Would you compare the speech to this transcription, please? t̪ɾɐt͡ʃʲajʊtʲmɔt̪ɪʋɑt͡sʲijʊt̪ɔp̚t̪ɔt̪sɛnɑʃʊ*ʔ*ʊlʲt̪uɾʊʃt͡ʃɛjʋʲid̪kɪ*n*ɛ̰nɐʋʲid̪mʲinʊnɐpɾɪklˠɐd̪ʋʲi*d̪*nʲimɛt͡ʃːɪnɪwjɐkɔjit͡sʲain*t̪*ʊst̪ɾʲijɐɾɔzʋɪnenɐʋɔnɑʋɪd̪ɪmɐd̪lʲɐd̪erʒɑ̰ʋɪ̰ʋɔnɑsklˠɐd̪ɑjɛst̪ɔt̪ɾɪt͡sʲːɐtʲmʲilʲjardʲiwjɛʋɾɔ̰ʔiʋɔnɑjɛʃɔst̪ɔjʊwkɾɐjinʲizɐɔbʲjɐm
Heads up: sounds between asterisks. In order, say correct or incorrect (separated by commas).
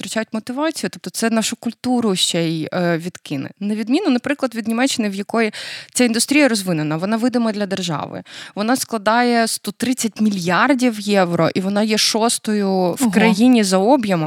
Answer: incorrect, correct, correct, incorrect